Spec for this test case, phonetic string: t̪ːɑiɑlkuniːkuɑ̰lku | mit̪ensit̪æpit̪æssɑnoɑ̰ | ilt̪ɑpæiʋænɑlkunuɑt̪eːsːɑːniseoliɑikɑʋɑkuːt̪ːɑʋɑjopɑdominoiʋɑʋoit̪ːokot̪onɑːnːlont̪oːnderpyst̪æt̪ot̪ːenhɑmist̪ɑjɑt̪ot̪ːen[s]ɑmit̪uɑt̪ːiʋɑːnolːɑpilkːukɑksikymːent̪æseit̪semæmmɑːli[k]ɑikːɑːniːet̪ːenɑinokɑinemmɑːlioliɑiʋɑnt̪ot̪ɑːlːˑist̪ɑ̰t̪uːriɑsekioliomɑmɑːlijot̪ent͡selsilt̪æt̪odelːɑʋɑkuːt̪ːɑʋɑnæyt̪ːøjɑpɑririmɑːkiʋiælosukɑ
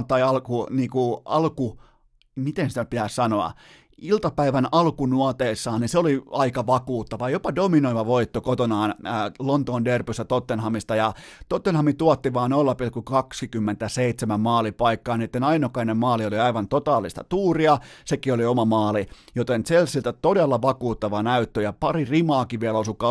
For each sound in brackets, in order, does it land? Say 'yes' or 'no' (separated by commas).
no, no